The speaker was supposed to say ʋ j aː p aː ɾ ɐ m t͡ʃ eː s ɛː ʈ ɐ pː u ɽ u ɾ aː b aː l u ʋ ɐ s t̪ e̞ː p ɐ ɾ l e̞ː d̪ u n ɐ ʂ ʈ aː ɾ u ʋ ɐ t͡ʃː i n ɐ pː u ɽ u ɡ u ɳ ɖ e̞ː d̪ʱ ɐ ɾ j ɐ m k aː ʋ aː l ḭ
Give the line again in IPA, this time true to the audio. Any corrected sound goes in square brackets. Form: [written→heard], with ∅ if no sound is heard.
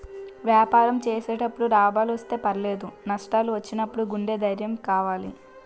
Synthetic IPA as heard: ʋ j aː p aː ɾ ɐ m t͡ʃ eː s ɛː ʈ ɐ pː u ɽ u ɾ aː b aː l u ʋ ɐ s t̪ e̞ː p ɐ ɾ l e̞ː d̪ u n ɐ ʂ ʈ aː [ɾ→l] u ʋ ɐ t͡ʃː i n ɐ pː u ɽ u ɡ u ɳ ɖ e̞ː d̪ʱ ɐ ɾ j ɐ m k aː ʋ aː l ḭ